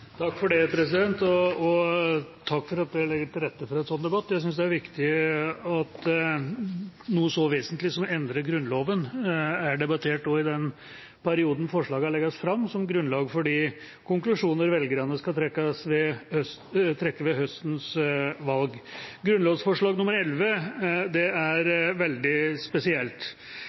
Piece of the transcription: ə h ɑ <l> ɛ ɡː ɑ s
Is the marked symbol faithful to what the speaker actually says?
no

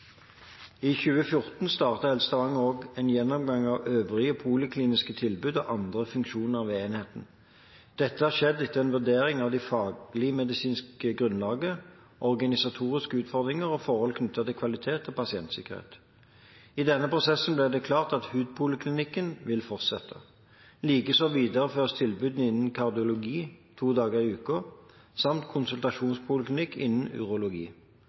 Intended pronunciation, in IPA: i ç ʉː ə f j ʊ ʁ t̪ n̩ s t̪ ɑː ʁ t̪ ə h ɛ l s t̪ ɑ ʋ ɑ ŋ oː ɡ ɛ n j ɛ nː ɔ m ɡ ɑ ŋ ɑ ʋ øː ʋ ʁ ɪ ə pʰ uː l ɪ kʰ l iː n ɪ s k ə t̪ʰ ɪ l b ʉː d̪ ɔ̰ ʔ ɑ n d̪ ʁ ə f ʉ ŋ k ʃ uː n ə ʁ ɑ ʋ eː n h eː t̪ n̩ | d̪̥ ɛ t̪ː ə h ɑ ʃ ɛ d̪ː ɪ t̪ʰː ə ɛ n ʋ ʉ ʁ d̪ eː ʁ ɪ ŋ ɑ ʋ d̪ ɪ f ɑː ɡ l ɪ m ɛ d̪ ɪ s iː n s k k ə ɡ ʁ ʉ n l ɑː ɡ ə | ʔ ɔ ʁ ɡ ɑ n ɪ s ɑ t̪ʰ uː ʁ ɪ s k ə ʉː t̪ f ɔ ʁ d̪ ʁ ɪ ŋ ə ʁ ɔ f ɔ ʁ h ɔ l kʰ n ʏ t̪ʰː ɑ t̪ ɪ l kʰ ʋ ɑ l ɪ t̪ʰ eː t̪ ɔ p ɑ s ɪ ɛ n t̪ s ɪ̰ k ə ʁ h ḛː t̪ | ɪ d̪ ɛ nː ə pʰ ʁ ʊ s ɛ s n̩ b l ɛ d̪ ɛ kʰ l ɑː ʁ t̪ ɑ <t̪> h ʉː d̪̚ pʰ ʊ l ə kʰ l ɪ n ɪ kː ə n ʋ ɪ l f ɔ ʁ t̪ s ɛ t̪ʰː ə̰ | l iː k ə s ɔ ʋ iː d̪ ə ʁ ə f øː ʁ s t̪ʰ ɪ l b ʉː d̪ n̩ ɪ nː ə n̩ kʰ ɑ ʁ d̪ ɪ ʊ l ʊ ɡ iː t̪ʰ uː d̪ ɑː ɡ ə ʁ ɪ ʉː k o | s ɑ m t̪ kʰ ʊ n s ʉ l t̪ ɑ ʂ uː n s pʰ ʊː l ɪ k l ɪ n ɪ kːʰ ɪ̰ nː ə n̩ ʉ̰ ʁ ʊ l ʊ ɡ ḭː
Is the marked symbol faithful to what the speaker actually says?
yes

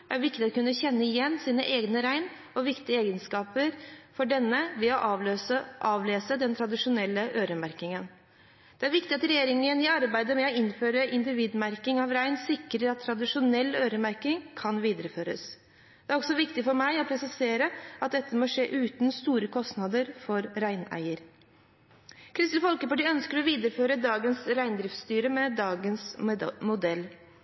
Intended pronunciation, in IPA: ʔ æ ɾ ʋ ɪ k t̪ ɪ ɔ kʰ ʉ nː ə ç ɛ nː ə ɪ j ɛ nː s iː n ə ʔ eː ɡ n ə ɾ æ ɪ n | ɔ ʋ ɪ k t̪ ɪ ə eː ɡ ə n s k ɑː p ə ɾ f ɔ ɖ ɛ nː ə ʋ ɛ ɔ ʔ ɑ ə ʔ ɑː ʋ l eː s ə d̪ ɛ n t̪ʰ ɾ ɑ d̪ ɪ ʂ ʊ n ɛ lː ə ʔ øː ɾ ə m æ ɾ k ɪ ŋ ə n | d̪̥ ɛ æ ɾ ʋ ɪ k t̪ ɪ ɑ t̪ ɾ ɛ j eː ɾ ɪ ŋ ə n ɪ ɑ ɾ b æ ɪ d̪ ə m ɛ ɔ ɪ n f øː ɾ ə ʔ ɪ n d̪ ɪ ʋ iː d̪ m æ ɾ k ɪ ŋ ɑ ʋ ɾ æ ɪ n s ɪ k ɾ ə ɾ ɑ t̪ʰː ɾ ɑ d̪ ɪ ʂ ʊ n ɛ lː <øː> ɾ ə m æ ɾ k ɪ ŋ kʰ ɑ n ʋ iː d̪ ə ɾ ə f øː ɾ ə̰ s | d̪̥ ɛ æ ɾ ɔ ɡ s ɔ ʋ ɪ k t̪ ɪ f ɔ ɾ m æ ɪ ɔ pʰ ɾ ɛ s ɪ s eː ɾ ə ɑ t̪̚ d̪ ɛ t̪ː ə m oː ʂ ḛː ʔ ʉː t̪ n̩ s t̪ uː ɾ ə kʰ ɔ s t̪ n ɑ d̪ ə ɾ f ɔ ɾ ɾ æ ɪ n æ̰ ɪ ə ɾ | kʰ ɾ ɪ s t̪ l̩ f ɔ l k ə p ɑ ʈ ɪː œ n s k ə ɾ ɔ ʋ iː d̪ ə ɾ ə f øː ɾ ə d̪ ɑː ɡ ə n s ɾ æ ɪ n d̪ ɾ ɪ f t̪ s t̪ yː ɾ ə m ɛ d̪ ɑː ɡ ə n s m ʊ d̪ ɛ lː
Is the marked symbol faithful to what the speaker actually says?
yes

